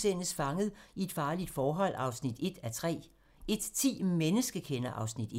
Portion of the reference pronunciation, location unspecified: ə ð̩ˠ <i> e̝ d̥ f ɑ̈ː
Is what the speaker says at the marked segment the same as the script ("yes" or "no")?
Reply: yes